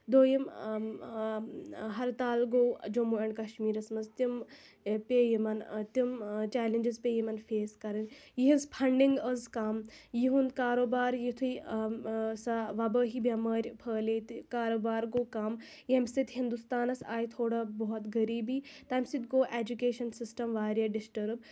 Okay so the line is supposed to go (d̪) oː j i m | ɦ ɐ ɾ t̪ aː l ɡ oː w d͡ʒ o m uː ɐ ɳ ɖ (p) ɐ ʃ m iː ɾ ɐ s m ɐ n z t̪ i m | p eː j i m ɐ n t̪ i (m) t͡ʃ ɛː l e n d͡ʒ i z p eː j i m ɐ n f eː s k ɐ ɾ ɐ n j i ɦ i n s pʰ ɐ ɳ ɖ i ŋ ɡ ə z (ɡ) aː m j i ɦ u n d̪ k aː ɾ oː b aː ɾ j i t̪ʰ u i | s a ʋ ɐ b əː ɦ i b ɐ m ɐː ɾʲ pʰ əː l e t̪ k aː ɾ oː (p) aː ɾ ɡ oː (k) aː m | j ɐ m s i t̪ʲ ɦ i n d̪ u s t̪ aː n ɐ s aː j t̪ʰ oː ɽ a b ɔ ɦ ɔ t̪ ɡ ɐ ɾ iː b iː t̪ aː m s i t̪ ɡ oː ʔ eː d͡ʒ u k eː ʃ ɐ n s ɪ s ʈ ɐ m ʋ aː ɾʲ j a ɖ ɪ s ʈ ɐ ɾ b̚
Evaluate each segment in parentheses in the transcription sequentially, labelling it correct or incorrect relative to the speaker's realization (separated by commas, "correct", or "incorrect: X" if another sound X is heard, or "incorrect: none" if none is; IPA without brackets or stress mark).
correct, incorrect: k, correct, incorrect: k, incorrect: b, correct